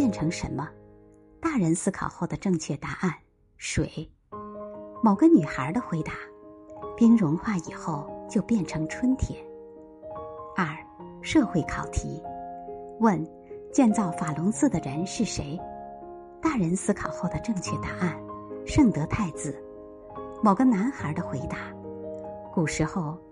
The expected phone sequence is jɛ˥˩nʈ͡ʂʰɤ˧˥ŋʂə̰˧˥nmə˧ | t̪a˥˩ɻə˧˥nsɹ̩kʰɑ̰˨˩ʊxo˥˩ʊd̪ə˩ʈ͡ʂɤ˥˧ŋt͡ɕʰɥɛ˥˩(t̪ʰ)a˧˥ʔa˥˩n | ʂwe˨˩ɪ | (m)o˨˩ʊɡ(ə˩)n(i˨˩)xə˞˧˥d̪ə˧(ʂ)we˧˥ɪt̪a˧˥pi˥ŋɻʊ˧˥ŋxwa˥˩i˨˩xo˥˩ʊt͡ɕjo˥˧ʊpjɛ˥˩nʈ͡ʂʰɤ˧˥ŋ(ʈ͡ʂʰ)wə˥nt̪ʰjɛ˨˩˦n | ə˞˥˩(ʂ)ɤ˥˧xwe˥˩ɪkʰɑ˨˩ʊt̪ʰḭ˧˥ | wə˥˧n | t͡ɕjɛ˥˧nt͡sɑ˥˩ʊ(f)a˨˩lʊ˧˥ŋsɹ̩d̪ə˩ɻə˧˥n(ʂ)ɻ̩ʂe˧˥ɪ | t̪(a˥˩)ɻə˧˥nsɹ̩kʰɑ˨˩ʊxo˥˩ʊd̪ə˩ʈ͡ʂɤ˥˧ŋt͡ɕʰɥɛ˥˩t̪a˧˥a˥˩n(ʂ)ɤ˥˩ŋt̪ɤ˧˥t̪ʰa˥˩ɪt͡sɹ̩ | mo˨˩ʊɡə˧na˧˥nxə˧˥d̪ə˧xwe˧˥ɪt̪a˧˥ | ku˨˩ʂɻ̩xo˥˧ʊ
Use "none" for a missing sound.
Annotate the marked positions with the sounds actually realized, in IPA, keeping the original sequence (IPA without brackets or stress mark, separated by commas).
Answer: t̪, m, ə˧, y˨˩, x, ʈ͡ʂʰ, ʂ, f, ʂ, a˥˩, ʂ